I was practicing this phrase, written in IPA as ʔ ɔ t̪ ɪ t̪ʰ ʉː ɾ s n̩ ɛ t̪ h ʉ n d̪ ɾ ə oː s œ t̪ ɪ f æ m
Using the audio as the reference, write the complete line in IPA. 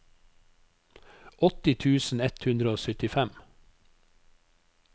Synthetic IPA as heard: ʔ ɔ t̪ ɪ t̪ʰ ʉː s n̩ ɛ t̪ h ʉ n d̪ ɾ ə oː s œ t̪ ɪ f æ m

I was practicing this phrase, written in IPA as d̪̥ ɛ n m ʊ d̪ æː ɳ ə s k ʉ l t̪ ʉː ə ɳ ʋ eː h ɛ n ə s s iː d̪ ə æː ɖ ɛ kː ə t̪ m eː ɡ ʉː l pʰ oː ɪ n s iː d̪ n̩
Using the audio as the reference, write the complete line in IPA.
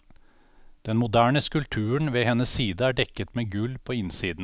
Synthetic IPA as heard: d̪̥ ɛ n m ʊ d̪ æː ɳ ə s k ʉ l t̪ʰ ʉː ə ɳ ʋ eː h ɛ n ə s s iː d̪ ə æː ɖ ɛ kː ə t̪ m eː ɡ ʉ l pʰ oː ɪ n s iː d̪ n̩

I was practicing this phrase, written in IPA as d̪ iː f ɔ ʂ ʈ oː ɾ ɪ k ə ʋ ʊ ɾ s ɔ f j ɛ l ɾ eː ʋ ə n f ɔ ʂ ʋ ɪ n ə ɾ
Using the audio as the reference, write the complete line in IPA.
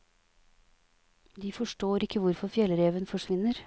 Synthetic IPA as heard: d̪ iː f ɔ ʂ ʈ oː ɾ ɪ k ə ʋ ʊ ɾ f ɔ f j ɛ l ɾ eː ʋ ə n f ɔ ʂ ʋ ɪ n ə ɾ

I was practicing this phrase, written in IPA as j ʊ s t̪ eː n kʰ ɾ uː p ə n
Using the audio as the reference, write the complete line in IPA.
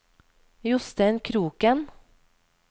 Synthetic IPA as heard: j ʊ s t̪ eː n kʰ ɾ uː k ə n

